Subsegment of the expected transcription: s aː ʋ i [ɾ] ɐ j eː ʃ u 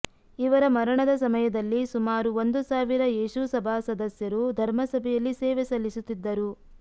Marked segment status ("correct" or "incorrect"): correct